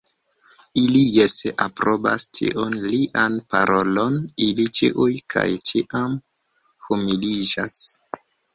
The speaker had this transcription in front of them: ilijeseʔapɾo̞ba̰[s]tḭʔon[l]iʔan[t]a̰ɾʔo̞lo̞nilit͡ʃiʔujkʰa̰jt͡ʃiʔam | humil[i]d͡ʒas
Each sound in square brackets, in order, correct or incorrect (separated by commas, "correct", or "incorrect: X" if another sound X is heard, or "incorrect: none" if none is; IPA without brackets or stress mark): correct, correct, incorrect: p, correct